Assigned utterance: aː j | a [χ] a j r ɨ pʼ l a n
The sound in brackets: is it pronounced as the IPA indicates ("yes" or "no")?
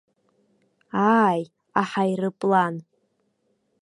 no